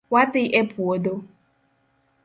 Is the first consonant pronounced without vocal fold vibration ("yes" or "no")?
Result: no